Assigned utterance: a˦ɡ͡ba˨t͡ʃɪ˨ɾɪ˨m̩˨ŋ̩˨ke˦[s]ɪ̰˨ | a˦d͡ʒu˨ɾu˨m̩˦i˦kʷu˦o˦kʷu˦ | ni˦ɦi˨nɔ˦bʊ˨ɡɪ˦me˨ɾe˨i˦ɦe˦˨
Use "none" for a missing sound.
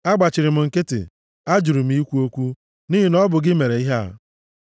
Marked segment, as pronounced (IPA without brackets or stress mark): t